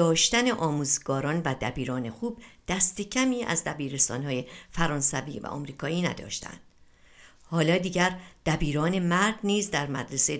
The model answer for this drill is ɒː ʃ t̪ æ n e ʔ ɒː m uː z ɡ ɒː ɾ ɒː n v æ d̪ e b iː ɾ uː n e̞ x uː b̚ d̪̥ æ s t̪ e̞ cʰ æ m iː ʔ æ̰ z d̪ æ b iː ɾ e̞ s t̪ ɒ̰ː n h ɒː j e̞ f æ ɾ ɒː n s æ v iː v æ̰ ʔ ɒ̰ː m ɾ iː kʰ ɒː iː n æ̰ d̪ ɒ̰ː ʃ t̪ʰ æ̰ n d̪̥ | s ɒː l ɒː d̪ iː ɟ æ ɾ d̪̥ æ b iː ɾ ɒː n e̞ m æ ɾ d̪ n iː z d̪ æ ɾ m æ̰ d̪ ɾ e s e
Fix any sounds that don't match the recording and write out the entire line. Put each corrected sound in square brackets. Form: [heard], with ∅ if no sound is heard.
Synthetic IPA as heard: ɒː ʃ t̪ æ n e ʔ ɒː m uː z ɡ ɒː ɾ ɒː n v æ d̪ [æ] b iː ɾ [ɒː] n e̞ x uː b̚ d̪̥ æ s t̪ e̞ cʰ æ m iː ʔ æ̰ z d̪ æ b iː ɾ e̞ s t̪ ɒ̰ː n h ɒː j e̞ f æ ɾ ɒː n s æ v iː v æ̰ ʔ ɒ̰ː m ɾ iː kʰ ɒː iː n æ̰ d̪ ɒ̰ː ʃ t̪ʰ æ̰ n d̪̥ | [h] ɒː l ɒː d̪ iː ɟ æ ɾ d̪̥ æ b iː ɾ ɒː n e̞ m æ ɾ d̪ n iː z d̪ æ ɾ m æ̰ d̪ ɾ e s e